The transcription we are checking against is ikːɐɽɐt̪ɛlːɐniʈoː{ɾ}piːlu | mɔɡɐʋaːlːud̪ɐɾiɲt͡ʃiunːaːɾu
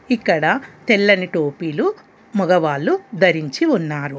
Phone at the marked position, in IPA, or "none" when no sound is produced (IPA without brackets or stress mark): none